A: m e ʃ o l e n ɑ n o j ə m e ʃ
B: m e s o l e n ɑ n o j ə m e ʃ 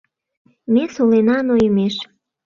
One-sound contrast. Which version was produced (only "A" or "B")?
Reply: B